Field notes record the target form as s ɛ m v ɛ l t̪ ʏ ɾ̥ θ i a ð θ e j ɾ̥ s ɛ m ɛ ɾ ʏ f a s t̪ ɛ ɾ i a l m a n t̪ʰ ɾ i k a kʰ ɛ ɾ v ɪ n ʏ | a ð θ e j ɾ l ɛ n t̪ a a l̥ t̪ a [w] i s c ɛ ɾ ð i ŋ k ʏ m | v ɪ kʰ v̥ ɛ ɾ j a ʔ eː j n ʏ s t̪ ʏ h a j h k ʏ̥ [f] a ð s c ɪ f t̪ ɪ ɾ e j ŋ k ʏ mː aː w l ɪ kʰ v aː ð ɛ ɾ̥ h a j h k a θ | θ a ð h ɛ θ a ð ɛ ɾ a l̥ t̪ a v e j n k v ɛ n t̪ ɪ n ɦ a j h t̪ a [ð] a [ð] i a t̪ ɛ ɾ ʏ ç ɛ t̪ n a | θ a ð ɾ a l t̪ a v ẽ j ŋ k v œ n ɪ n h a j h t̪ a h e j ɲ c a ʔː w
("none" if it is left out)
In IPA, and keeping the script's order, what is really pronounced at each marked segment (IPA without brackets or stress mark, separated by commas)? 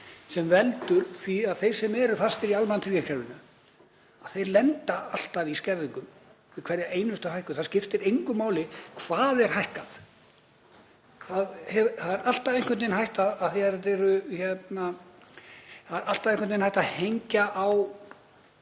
v, θ, ð, θ